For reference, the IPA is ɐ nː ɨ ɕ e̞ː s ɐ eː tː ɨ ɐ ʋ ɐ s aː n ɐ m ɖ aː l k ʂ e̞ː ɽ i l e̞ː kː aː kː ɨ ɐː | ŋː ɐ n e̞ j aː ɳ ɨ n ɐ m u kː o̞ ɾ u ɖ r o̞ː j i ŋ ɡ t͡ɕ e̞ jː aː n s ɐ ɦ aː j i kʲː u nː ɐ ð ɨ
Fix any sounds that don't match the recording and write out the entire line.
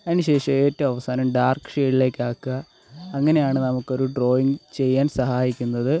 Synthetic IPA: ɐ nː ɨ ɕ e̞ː ʂ ɐ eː tː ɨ ɐ ʋ ɐ s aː n ɐ m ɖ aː r k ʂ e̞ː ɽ i l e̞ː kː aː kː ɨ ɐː | ŋː ɐ n e̞ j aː ɳ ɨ n ɐ m u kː o̞ ɾ u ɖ r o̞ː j i ŋ ɡ t͡ɕ e̞ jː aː n s ɐ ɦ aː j i kʲː u nː ɐ ð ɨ